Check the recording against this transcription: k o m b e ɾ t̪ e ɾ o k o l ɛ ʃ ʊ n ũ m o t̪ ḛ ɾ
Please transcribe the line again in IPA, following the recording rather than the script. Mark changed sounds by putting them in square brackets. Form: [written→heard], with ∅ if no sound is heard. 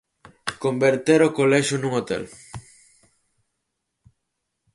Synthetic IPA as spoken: k o m b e ɾ t̪ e ɾ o k o l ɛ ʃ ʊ n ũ [m→ŋ] o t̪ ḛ [ɾ→l]